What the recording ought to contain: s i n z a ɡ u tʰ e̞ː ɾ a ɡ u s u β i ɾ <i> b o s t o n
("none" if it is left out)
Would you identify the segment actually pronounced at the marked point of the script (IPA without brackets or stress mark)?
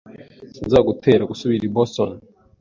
i